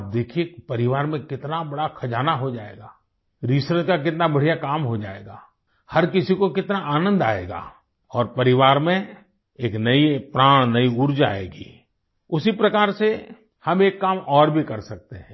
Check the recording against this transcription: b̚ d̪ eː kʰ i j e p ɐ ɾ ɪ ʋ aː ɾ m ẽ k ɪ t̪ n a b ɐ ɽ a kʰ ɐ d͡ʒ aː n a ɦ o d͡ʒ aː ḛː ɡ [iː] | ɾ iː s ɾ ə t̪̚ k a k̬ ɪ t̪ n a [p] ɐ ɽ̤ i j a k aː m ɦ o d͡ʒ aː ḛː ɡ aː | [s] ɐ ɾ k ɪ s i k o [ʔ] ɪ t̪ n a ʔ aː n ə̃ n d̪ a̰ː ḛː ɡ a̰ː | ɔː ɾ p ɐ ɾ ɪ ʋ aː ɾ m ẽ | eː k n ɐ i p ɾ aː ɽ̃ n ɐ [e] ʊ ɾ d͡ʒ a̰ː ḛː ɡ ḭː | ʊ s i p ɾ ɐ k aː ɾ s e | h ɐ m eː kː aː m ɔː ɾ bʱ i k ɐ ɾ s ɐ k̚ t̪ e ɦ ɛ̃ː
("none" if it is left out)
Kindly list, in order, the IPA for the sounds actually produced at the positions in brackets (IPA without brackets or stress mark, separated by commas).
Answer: aː, b, h, k, i